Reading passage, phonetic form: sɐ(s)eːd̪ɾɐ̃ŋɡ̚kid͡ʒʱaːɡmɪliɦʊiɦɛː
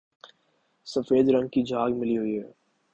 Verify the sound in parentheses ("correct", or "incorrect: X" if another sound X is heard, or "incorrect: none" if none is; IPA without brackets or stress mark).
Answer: incorrect: f